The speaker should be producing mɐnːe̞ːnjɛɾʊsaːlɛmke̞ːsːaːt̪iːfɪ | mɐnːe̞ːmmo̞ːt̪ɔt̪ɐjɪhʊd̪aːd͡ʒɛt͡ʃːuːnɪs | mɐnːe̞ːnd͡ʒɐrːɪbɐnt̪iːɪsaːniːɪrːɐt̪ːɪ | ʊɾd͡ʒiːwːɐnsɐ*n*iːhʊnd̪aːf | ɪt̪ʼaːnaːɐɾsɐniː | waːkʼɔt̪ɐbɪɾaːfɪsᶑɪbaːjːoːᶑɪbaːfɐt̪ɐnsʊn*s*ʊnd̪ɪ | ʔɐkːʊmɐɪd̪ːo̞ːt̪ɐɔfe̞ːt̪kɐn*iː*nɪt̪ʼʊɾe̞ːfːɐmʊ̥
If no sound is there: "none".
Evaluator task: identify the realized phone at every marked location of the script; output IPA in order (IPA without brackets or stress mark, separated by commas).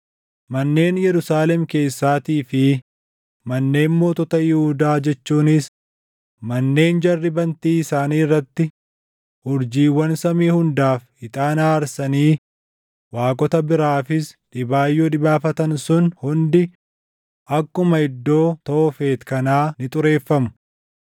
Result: m, h, aː